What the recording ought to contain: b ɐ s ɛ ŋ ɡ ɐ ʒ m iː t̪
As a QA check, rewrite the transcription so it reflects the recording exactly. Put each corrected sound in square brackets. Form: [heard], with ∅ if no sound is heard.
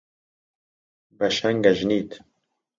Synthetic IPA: b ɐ [ʃ] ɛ ŋ ɡ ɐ ʒ [n] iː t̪